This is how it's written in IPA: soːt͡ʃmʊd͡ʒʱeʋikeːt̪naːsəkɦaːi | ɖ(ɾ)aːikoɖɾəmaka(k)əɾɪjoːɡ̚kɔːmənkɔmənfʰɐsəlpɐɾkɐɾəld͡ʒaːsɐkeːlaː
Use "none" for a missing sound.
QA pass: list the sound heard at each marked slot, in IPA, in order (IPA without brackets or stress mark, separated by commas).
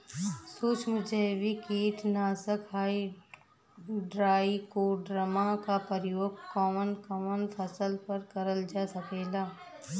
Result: ɾ, p